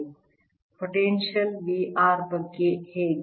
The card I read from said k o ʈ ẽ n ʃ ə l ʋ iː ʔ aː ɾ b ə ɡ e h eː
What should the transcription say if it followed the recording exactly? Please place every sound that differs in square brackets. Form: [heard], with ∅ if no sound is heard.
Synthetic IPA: [p] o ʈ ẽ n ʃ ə l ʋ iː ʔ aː ɾ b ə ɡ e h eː